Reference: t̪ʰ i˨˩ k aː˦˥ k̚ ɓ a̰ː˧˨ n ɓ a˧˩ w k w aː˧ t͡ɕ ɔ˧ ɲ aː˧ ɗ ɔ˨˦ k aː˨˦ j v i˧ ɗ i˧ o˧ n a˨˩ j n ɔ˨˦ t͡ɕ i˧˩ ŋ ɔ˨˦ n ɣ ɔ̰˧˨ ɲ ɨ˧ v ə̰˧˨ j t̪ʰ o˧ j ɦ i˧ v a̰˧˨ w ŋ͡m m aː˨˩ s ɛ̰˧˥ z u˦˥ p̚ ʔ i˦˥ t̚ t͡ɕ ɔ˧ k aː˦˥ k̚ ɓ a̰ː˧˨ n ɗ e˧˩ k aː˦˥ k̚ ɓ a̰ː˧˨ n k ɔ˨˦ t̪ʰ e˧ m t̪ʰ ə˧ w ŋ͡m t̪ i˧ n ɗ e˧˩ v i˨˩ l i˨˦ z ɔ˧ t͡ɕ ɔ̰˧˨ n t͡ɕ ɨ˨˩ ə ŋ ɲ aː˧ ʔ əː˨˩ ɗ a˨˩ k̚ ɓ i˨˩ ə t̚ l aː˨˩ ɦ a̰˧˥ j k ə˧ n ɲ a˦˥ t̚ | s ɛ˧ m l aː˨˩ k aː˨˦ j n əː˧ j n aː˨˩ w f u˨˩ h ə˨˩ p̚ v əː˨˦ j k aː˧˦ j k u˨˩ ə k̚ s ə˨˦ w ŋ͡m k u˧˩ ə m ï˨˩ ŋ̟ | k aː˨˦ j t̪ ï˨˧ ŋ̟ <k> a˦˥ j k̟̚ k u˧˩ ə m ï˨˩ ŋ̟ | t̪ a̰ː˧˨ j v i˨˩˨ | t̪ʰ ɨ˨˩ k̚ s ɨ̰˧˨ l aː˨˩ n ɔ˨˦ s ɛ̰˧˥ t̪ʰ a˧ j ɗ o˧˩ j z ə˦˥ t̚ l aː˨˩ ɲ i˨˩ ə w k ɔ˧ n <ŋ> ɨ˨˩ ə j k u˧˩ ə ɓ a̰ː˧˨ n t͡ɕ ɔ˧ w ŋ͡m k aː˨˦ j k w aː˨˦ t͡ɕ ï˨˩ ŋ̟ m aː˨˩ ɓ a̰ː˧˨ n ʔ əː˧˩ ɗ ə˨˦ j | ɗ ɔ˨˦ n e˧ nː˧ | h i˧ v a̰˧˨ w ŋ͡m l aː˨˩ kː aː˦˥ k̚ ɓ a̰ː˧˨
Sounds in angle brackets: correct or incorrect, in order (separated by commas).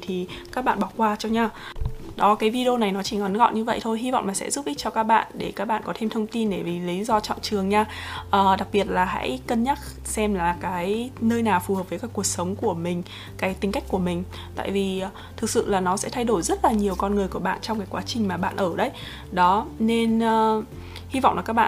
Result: correct, correct